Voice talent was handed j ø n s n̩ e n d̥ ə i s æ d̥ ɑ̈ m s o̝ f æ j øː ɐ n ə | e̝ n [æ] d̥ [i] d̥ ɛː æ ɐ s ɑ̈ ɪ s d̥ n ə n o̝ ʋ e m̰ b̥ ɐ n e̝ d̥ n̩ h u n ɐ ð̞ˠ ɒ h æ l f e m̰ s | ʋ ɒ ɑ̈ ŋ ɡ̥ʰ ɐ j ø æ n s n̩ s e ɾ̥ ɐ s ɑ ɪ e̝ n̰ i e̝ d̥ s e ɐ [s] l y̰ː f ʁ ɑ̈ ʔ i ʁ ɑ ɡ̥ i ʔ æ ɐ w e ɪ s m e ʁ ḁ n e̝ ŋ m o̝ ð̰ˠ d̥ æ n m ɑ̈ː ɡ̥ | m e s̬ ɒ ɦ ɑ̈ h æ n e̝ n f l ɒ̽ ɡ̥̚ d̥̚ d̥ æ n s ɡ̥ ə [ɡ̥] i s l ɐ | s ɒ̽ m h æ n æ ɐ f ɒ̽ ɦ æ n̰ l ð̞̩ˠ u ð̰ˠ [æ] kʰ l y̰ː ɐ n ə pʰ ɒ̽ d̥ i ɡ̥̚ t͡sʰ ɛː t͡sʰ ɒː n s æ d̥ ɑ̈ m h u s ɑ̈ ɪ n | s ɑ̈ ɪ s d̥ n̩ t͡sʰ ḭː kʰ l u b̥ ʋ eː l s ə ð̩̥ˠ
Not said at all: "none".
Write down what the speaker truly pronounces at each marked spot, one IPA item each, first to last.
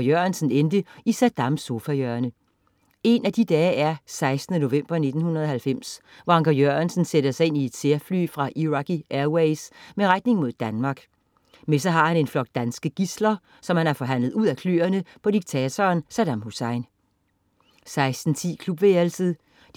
æ, i, f, ɡ̥, æ

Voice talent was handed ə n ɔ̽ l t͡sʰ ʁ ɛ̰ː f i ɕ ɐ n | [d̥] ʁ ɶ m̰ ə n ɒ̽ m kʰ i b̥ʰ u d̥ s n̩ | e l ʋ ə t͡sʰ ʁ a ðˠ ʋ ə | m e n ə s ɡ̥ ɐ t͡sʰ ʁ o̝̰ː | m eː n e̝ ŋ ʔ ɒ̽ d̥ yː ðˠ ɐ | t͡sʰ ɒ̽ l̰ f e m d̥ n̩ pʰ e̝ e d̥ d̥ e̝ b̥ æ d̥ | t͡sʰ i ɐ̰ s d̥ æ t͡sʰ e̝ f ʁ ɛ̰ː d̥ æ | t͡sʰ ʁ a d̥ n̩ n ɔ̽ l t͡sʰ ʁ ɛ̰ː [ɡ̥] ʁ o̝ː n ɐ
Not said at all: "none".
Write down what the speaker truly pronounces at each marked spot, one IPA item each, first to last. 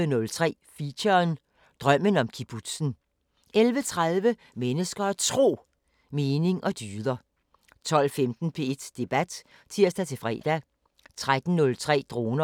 d̥, d̥

